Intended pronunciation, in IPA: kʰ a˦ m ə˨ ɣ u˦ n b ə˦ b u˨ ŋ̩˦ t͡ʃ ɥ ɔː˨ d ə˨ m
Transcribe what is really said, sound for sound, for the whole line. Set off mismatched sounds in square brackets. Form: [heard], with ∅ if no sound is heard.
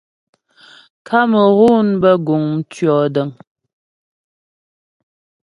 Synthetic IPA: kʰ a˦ m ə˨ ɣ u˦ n b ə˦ [ɡ] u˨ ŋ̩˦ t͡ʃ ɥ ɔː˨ d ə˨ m